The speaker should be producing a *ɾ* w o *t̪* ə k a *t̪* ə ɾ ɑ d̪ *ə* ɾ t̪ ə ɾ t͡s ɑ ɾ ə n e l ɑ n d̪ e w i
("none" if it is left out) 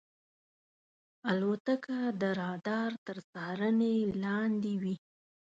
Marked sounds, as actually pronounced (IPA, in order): l, t̪, d̪, ɑ

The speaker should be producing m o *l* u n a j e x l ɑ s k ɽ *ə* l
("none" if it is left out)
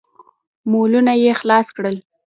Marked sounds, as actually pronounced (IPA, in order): l, ə

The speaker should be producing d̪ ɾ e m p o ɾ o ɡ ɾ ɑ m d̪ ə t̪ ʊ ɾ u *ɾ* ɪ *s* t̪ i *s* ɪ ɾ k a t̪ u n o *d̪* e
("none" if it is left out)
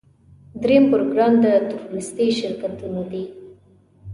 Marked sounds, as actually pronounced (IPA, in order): ɾ, s, ʃ, d̪

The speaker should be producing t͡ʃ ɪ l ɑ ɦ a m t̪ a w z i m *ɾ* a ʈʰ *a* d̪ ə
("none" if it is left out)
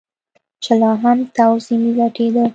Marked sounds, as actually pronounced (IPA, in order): l, e

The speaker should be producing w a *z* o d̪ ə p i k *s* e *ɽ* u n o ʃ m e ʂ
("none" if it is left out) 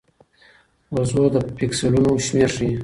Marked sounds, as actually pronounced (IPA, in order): z, s, l

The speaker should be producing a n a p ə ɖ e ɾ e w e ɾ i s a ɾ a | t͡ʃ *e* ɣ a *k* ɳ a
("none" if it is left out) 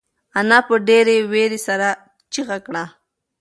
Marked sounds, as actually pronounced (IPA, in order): i, k

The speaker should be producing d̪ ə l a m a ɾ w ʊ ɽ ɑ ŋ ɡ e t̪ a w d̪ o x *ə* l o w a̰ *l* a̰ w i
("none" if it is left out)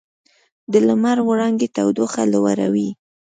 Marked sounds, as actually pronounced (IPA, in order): a, ɾ

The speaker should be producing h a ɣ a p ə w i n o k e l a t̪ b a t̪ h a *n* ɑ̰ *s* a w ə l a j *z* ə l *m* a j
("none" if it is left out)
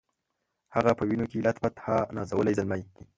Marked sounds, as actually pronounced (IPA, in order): n, z, z, m

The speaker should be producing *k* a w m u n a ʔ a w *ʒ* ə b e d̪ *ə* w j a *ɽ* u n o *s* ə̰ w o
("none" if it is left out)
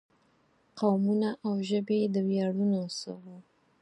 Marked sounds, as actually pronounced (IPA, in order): q, ʒ, ə, ɽ, s

